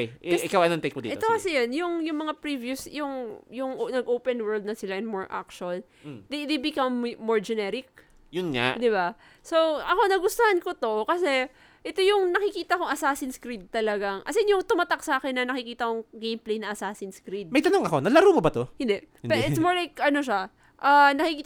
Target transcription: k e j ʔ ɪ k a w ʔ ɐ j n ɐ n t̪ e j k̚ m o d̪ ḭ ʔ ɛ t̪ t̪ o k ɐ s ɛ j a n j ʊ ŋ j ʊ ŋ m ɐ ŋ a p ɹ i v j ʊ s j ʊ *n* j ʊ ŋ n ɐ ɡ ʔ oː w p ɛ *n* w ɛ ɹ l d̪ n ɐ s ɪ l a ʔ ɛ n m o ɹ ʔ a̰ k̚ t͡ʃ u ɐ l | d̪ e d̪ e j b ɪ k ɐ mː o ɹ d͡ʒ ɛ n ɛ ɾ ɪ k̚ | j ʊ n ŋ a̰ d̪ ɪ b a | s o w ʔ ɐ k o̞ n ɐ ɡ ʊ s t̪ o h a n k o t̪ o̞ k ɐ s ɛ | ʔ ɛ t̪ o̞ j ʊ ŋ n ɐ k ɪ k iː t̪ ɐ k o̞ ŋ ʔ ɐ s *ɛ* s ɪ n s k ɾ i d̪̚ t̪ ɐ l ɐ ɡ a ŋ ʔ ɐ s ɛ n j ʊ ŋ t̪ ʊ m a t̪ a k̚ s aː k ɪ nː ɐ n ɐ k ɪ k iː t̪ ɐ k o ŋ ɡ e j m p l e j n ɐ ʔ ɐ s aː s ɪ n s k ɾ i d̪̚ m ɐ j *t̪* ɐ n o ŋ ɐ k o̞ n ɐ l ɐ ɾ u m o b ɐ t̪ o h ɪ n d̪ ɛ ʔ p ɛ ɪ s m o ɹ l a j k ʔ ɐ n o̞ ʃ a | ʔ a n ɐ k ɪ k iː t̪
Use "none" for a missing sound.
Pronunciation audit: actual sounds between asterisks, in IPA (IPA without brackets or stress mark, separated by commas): ŋ, n, a, t̪